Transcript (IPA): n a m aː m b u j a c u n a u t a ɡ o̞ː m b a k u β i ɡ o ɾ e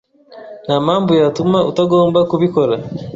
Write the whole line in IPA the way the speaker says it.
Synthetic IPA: n a m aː m b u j a t u m a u t a ɡ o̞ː m b a k u β i k o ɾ a